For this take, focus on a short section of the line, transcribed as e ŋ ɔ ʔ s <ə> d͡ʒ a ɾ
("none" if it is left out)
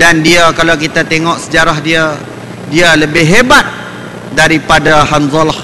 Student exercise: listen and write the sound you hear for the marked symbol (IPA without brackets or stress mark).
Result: ə